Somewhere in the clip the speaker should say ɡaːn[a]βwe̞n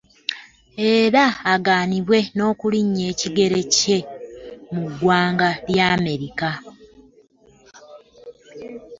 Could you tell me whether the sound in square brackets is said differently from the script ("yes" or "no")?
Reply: yes